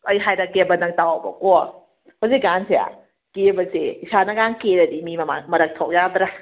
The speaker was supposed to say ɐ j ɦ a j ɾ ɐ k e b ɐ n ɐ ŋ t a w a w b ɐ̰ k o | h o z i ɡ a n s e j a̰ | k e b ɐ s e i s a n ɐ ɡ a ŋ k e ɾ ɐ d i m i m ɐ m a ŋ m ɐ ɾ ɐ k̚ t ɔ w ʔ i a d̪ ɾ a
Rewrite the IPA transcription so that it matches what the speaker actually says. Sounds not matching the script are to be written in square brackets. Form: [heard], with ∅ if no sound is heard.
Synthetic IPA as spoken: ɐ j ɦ a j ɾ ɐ k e b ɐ n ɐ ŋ t a w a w b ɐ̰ k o | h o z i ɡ a n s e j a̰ | k e b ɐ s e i s a n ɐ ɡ a ŋ k e ɾ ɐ d i m i m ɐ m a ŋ m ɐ ɾ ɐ k̚ [tʰ] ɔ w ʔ [j] a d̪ ɾ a

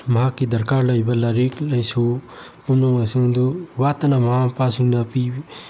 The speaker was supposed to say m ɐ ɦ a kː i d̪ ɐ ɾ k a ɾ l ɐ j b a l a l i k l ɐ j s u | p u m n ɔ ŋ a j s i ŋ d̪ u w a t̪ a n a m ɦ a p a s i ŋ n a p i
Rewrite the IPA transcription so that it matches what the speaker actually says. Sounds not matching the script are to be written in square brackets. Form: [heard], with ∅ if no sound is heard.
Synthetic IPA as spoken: m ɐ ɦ a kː i d̪ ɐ ɾ k a ɾ l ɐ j b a l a [ɾ] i k l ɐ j s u | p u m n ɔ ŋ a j s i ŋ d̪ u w a t̪ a n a m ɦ a p a s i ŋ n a p i

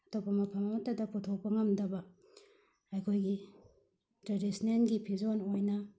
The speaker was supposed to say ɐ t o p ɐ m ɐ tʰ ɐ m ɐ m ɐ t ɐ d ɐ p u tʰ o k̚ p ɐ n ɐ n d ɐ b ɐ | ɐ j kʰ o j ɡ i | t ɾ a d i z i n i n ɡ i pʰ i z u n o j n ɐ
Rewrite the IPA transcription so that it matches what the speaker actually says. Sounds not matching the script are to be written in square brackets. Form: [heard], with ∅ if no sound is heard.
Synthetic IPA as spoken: ɐ t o p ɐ m ɐ [pʰ] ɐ m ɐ m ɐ t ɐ d ɐ p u tʰ o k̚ p ɐ [ŋ] ɐ [m] d ɐ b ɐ | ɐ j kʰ o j ɡ i | t ɾ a d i [s] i n [e] n ɡ i pʰ i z [o] n o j n ɐ

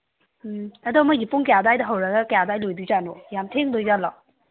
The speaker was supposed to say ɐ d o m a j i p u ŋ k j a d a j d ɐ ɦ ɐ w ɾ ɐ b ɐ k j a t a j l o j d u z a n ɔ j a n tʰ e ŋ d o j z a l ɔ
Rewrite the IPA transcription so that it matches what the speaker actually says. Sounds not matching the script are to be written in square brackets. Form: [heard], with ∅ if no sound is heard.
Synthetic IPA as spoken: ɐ d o m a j i p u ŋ k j a d a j d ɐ ɦ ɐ w ɾ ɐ [ɡ] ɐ k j a [d] a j l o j d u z a n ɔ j a [m] tʰ e ŋ d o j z a l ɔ

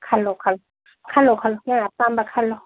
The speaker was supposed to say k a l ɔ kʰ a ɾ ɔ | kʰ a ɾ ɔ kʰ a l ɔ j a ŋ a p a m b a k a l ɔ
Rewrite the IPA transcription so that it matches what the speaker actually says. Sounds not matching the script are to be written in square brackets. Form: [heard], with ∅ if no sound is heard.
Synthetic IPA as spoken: [kʰ] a l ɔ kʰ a [l] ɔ | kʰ a [l] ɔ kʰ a l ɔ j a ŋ a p a m b a [kʰ] a l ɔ

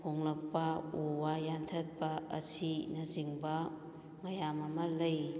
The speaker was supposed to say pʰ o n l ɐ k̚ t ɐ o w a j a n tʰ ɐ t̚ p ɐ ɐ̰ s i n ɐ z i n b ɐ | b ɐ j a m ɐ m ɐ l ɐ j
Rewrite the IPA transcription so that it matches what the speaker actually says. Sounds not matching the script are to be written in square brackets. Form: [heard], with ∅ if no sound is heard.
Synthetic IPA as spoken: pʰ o [ŋ] l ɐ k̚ [p] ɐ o w a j a n tʰ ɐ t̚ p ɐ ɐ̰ s i n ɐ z i [ŋ] b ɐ | [m] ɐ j a m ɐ m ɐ l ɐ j

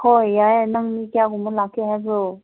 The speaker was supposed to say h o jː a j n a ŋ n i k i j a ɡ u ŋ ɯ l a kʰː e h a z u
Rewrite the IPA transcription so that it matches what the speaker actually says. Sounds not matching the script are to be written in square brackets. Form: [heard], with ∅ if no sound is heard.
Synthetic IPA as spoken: h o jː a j n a ŋ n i k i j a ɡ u [m] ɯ l a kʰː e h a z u

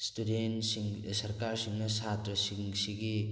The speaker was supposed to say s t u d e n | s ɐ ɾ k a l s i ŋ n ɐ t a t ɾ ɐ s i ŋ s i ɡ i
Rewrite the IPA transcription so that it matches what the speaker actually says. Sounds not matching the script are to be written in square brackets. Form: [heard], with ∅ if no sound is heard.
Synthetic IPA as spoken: s t u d e n | s ɐ ɾ k a [ɾ] s i ŋ n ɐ [s] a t ɾ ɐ s i ŋ s i ɡ i

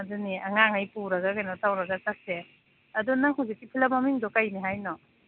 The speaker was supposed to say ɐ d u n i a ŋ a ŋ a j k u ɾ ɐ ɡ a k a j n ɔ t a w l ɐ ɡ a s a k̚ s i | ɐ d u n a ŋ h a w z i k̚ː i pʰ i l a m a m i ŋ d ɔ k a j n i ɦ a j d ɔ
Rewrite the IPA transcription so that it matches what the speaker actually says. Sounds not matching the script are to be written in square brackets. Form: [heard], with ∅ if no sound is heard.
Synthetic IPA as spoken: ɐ d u n i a ŋ a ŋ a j [p] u ɾ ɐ ɡ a k a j n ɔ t a w [ɾ] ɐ ɡ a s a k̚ s [e] | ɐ d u n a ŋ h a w z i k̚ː i pʰ i l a m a m i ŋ d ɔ k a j n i ɦ a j [n] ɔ

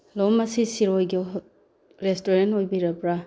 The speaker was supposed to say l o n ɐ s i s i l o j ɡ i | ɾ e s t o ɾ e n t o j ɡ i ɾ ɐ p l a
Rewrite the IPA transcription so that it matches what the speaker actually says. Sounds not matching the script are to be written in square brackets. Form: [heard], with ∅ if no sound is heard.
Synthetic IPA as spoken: l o [m] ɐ s i s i [ɾ] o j ɡ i | ɾ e s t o ɾ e n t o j [b] i ɾ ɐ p [ɾ] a

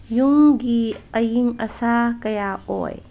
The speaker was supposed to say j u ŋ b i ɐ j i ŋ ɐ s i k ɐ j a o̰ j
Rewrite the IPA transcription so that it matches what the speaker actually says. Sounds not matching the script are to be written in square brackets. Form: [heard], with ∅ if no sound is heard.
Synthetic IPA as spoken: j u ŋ [ɡ] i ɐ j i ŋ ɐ s [a] k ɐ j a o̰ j

